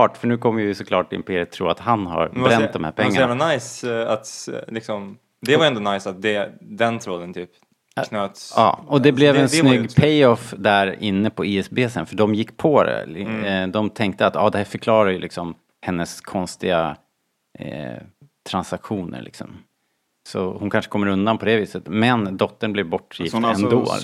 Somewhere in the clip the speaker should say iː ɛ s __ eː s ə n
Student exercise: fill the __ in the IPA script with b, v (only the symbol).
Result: b